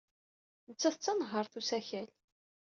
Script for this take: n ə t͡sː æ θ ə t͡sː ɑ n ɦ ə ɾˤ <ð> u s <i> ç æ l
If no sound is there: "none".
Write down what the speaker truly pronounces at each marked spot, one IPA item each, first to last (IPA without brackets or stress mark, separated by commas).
θ, æ